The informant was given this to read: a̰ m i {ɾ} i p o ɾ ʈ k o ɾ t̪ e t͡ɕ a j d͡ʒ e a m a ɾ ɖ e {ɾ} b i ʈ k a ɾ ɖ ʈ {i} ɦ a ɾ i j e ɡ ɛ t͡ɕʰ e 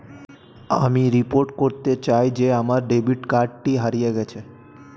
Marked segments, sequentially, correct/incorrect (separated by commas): correct, incorrect, correct